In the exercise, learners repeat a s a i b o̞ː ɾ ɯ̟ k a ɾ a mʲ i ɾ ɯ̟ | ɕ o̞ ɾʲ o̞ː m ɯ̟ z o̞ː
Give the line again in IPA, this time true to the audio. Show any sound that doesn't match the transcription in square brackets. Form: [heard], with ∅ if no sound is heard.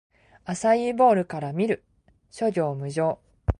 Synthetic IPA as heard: a s a i b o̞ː ɾ ɯ̟ k a ɾ a mʲ i ɾ ɯ̟ | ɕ o̞ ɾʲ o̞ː m ɯ̟ [ʑ] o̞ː